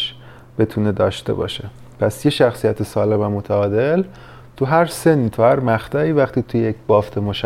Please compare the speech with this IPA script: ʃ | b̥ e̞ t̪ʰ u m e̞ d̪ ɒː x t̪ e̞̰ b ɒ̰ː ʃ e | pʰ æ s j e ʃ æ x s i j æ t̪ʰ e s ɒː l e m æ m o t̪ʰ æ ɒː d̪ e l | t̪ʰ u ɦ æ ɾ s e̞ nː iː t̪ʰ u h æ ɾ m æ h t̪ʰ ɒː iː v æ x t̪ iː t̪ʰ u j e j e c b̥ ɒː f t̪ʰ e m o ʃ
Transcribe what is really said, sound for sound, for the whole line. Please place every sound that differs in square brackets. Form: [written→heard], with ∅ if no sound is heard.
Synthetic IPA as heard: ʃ | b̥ e̞ t̪ʰ u [m→n] e̞ d̪ ɒː [x→ʃ] t̪ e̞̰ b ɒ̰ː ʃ e | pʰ æ s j e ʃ æ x s i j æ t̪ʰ e s ɒː l e m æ m o t̪ʰ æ ɒː d̪ e l | t̪ʰ u ɦ æ ɾ s e̞ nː iː t̪ʰ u h æ ɾ m æ [h→x] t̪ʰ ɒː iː v æ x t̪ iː t̪ʰ u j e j e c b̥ ɒː f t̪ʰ e m o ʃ